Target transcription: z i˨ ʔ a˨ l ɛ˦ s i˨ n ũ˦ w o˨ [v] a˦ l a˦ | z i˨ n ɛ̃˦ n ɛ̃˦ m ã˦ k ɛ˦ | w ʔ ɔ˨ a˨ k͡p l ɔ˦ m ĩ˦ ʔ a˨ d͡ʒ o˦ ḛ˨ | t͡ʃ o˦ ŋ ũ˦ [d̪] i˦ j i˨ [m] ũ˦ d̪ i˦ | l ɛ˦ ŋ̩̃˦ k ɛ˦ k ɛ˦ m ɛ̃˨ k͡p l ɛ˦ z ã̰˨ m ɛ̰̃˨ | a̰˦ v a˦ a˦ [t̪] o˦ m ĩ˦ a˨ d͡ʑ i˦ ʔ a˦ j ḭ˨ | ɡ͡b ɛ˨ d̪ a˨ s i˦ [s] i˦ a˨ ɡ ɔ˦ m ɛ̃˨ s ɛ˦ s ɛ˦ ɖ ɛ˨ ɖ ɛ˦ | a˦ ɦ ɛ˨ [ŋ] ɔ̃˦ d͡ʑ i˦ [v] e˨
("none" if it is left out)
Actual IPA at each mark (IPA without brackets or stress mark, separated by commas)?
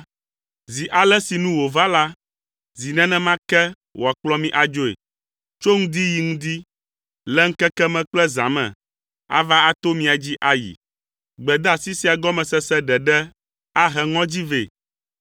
v, d̪, ŋ, t̪, s, ŋ, v